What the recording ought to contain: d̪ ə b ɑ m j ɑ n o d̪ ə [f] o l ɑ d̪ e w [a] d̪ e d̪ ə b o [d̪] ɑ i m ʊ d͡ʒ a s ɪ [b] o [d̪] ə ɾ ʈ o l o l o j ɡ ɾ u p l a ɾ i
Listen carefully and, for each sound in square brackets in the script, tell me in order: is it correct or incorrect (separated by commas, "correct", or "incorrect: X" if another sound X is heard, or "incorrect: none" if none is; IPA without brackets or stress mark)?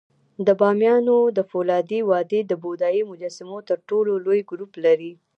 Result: correct, incorrect: ɑ, correct, incorrect: m, incorrect: t̪